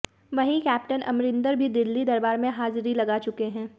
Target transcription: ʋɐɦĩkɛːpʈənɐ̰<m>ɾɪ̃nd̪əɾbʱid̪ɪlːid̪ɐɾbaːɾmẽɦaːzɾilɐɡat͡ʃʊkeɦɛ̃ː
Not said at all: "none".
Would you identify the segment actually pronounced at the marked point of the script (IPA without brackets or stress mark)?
m